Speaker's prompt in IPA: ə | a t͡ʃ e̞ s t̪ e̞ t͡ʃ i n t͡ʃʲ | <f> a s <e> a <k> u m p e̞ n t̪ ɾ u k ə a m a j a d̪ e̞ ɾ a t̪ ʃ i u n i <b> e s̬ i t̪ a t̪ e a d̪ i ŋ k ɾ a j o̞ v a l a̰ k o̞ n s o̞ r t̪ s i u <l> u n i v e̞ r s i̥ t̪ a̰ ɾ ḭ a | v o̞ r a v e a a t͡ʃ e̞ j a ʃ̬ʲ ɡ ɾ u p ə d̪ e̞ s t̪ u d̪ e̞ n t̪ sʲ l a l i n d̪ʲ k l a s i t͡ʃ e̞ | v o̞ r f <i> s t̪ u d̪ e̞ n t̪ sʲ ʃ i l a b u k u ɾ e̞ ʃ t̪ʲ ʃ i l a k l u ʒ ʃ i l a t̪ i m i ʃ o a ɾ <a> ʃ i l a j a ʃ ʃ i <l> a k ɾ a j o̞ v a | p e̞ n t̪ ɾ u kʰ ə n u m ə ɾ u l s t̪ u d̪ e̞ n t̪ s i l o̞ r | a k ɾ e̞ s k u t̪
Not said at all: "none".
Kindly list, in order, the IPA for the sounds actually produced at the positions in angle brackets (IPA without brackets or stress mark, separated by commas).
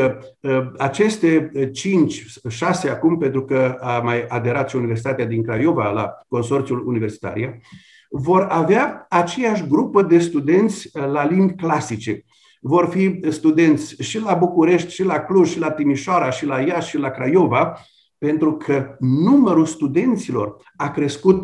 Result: ʃ, e, k, v, l, i, a, l